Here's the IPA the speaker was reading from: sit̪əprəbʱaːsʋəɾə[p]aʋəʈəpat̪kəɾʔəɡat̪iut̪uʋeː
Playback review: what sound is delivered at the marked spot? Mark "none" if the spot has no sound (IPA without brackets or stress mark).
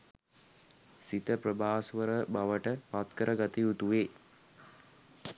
b